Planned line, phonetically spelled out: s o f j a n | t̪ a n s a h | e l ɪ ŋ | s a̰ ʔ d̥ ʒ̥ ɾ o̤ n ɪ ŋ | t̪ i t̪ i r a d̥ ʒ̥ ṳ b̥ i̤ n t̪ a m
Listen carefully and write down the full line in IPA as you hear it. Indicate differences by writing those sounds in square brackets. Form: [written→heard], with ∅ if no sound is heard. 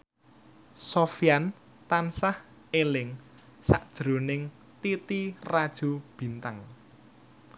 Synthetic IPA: s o f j a n | t̪ a n s a h | e l ɪ ŋ | s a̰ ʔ d̥ ʒ̥ ɾ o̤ n ɪ ŋ | t̪ i t̪ i r a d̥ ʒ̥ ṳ b̥ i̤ n t̪ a [m→ŋ]